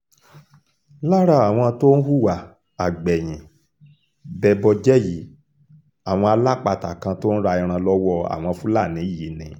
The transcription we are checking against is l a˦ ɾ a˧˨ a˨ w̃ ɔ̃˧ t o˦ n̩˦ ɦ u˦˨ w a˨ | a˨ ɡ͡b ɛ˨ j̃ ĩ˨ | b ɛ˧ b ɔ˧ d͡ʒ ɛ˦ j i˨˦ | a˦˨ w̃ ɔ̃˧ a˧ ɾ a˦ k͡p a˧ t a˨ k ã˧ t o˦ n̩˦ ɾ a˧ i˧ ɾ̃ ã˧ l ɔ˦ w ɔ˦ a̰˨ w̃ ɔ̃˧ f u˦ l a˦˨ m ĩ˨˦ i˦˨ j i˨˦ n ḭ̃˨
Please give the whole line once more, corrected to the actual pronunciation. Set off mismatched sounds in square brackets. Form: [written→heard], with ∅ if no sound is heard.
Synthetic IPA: l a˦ ɾ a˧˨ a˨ w̃ ɔ̃˧ t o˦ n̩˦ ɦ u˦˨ w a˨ | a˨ ɡ͡b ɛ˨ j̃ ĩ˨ | b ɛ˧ b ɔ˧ d͡ʒ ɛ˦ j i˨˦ | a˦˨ w̃ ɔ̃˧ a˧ [ɾ→l] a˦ k͡p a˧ t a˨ k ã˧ t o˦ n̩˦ ɾ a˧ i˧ ɾ̃ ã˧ l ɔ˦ w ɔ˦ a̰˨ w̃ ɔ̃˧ f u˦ l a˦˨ [m→n] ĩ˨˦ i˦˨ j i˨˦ n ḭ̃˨